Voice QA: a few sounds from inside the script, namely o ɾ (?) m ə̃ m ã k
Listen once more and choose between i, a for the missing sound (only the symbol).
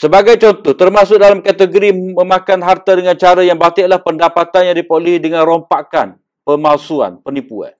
i